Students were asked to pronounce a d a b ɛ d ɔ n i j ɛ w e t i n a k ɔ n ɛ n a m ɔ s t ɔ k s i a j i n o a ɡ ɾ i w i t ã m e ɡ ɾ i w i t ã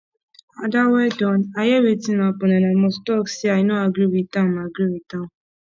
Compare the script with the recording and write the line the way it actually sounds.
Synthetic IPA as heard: a d a w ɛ d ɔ n a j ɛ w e t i n a p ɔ n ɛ n a m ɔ s t ɔ k s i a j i n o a ɡ ɾ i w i t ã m a ɡ ɾ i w i t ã